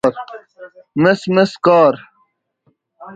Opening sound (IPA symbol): ɾ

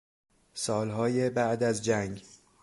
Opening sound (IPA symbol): s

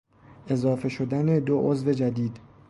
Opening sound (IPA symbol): e̞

